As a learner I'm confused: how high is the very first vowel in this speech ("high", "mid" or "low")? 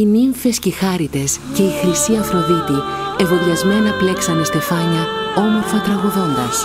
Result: high